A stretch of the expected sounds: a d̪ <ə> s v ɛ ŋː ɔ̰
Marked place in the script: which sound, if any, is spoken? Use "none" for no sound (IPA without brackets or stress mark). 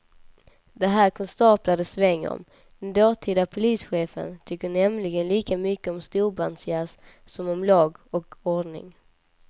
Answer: ə